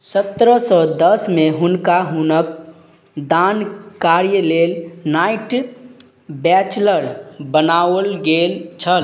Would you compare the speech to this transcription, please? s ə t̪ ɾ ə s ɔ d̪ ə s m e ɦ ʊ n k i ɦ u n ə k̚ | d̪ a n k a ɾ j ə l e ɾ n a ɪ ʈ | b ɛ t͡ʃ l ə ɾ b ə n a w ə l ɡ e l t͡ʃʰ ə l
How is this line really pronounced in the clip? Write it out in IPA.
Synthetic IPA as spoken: s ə t̪ ɾ ə s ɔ d̪ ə s m e ɦ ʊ n k a ɦ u n ə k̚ | d̪ a n k a ɾ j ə l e l n a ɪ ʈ | b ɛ t͡ʃ l ə ɾ b ə n a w ə l ɡ e l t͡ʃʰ ə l